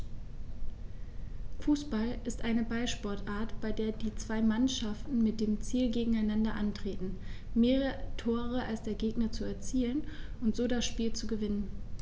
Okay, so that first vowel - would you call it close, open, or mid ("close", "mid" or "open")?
close